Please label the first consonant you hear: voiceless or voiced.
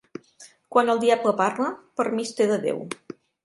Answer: voiceless